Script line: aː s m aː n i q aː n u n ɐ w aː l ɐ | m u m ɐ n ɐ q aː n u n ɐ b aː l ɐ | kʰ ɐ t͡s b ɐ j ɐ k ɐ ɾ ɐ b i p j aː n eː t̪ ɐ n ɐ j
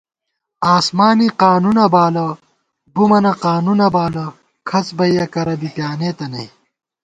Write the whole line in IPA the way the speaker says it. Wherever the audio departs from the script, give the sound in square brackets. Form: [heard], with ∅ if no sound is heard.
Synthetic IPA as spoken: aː s m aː n i q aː n u n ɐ [b] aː l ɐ | [b] u m ɐ n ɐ q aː n u n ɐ b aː l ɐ | kʰ ɐ t͡s b ɐ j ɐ k ɐ ɾ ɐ b i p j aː n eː t̪ ɐ n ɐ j